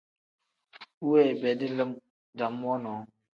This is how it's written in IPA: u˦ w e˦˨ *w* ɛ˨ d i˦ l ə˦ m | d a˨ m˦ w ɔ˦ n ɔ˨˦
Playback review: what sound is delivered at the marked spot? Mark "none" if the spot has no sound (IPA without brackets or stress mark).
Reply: b